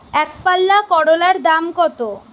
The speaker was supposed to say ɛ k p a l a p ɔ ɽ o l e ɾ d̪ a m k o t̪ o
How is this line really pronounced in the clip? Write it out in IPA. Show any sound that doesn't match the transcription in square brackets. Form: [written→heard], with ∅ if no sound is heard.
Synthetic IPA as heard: ɛ k p a [l→lː] a [p→k] ɔ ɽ o l [e→a] ɾ d̪ a m k [o→ɔ] t̪ o